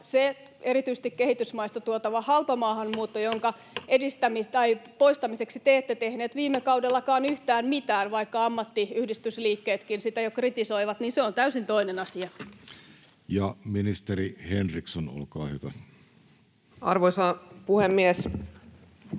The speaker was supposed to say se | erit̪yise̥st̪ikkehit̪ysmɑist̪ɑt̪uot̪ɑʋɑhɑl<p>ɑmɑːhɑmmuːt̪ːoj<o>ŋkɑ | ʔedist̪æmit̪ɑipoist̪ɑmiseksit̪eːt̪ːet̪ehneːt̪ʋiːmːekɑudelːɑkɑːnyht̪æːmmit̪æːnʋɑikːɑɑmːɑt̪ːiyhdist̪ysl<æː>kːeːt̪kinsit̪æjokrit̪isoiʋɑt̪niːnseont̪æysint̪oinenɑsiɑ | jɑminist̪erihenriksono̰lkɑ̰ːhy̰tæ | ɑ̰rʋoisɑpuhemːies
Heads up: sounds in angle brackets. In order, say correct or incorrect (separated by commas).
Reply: correct, correct, incorrect